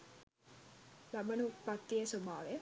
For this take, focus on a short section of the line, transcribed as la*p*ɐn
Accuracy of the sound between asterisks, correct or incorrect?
incorrect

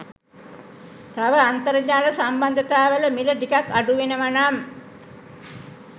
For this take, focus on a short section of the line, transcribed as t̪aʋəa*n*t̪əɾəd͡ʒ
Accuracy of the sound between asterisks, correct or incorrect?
correct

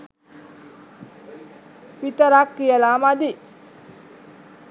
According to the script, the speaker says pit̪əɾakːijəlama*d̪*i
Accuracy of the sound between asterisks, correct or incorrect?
correct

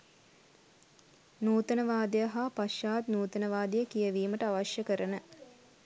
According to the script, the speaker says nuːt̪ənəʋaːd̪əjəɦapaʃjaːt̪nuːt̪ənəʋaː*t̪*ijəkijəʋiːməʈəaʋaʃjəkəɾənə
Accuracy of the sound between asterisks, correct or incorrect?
incorrect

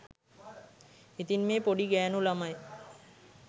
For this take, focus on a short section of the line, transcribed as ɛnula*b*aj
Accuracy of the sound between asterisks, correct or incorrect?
incorrect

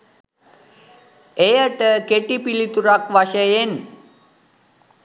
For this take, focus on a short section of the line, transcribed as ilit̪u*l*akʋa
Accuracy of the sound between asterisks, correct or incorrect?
incorrect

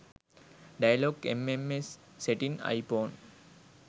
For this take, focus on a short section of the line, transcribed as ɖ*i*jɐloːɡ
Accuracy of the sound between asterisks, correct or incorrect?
incorrect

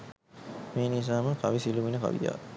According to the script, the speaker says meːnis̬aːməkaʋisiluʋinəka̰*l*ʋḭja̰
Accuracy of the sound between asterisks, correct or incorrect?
incorrect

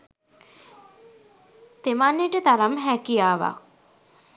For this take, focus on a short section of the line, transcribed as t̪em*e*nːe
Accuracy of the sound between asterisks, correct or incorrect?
incorrect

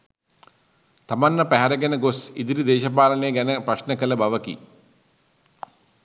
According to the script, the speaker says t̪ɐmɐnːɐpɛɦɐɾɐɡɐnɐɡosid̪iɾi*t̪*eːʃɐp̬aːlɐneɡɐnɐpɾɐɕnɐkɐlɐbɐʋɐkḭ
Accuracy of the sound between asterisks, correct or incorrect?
incorrect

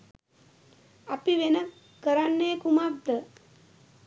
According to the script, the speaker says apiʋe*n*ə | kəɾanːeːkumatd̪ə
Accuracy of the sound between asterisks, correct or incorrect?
correct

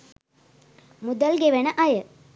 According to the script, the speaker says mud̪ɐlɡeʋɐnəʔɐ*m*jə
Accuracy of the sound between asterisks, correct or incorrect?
incorrect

